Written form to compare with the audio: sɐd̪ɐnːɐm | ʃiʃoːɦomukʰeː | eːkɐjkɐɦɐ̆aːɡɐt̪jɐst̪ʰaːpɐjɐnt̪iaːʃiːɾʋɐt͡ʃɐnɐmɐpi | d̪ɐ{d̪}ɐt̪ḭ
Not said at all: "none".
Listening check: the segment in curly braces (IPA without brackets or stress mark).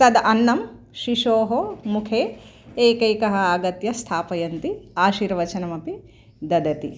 d̪